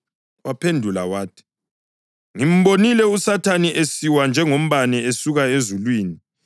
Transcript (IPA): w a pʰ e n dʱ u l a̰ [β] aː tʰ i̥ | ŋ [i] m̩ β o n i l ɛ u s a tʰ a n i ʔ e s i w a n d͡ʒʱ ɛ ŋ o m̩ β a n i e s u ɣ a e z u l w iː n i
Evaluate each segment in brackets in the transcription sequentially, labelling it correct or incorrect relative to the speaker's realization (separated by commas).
incorrect, correct